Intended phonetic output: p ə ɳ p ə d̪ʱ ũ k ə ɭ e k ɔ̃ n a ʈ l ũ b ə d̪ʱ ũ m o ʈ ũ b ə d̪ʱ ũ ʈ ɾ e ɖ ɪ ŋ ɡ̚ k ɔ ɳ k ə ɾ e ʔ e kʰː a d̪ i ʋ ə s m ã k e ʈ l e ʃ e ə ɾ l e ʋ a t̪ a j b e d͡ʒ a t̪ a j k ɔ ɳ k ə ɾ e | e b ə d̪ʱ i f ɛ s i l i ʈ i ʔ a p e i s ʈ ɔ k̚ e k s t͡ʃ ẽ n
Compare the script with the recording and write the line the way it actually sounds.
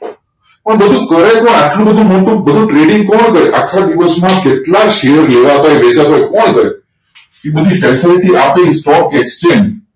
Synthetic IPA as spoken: p ə ɳ b ə d̪ʱ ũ k ə ɾ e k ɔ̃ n a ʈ l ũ b ə d̪ʱ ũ m o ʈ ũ b ə d̪ʱ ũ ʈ ɾ e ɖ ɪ ŋ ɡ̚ k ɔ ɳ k ə ɾ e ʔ a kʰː a d̪ i ʋ ə s m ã k e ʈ l a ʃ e ə ɾ l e ʋ a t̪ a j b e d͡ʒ a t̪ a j k ɔ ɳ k ə ɾ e | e b ə d̪ʱ i f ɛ s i l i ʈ i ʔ a p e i s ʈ ɔ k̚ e k s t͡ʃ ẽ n